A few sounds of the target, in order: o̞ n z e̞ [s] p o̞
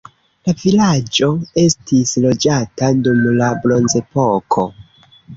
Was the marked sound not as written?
yes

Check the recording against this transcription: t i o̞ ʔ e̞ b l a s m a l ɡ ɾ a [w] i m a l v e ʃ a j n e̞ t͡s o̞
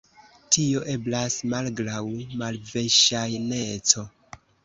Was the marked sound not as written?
no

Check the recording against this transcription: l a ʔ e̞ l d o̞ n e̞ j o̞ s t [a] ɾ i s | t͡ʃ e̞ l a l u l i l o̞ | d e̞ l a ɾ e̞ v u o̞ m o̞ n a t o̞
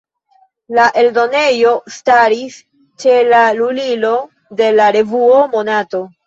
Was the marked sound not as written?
no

